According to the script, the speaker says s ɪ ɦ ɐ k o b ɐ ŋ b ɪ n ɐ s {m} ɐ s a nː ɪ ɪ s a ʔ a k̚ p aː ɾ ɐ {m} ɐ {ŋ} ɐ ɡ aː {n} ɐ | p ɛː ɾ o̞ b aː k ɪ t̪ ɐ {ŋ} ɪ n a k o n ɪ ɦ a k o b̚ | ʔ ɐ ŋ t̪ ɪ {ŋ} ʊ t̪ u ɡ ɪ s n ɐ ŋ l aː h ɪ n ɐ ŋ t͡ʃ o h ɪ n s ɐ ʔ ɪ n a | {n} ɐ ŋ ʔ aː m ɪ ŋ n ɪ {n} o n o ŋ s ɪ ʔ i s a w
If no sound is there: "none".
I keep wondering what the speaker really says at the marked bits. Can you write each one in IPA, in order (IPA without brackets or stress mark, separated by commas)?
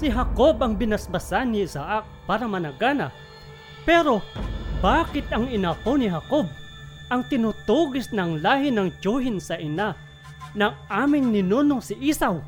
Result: b, m, n, n, ŋ, n, n, n